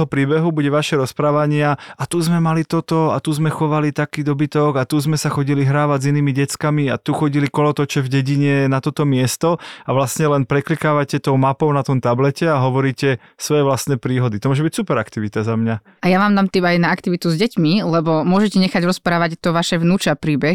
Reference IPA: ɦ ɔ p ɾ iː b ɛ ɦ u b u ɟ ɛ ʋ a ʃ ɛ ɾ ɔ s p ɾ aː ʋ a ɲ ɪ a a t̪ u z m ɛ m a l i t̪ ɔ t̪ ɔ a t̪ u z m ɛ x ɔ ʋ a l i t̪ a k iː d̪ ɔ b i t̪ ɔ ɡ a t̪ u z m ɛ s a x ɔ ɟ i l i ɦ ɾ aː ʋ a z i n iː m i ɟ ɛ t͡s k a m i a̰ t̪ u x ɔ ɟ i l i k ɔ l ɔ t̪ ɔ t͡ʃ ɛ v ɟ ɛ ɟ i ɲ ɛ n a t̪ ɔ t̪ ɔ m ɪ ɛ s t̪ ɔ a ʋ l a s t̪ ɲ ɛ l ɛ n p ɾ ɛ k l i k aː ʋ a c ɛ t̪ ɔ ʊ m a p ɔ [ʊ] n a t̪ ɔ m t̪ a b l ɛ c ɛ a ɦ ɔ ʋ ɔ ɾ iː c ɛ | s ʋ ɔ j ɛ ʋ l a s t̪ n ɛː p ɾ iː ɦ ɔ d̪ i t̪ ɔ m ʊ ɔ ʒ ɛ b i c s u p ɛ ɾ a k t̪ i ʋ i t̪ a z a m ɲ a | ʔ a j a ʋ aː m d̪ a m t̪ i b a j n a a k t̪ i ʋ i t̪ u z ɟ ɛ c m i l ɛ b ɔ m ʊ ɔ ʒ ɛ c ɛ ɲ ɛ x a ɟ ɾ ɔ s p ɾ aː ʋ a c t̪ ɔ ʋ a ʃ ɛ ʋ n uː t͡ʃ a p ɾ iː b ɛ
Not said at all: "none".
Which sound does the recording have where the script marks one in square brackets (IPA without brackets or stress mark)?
ʊ